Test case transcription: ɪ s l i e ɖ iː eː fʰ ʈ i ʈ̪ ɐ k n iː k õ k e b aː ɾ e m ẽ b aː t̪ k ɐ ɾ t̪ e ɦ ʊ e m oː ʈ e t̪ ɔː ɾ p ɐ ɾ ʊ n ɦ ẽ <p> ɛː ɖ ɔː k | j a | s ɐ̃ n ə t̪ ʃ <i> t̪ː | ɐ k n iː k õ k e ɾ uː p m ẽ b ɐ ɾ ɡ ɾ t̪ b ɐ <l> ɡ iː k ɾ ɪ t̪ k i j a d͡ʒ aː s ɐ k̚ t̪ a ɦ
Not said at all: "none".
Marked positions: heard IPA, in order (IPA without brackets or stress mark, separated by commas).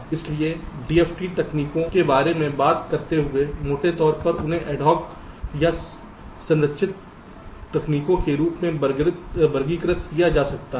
ʔ, ɪ, ɾ